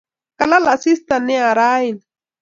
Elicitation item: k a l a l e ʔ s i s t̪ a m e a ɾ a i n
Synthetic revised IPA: k a l a l a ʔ s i s t̪ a n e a ɾ a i n